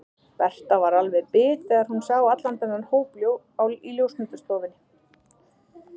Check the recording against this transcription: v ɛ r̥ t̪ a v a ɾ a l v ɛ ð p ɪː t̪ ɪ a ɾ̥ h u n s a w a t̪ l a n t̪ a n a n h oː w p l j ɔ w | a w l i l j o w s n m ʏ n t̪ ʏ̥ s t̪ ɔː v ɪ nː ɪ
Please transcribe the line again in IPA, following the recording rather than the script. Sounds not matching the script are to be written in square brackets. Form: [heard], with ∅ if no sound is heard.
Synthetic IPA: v ɛ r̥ t̪ a v a ɾ a l v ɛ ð p ɪː t̪ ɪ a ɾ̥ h u n s a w a t̪ l a n t̪ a n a n h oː w p l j [o] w | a w l i l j o w s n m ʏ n t̪ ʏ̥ s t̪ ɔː v ɪ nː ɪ